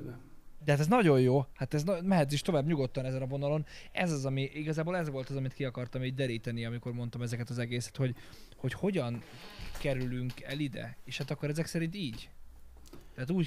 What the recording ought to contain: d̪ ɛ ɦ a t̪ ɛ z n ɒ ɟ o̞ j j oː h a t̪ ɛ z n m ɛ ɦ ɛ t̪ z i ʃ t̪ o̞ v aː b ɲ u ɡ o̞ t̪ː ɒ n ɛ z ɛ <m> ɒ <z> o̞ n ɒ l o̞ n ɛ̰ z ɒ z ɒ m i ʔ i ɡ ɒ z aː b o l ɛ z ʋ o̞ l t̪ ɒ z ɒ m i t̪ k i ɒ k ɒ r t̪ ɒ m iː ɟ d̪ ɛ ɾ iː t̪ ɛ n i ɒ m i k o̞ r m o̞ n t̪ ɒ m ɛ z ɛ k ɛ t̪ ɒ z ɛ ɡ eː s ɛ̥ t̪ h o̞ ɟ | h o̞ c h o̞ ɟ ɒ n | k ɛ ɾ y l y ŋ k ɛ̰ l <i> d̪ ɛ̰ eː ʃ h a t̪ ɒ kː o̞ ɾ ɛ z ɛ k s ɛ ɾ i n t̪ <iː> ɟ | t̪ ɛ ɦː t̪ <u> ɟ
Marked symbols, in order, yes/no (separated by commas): no, no, yes, yes, no